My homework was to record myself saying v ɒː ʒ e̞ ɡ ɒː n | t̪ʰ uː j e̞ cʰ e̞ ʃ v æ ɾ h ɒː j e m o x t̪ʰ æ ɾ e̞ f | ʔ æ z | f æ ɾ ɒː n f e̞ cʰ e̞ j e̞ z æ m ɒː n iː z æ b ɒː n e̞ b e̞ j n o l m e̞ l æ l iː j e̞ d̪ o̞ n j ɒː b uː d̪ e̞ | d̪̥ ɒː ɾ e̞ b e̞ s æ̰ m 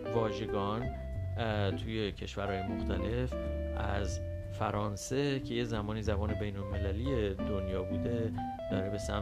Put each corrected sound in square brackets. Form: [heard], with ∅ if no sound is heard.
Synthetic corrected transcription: v ɒː ʒ e̞ ɡ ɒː n | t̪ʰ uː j e̞ cʰ e̞ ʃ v æ ɾ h ɒː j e m o x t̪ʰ æ [l] e̞ f | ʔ æ z | f æ ɾ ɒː n [s] e̞ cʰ e̞ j e̞ z æ m ɒː n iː z æ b ɒː n e̞ b e̞ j n o l m e̞ l æ l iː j e̞ d̪ o̞ n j ɒː b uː d̪ e̞ | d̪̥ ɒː ɾ e̞ b e̞ s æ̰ m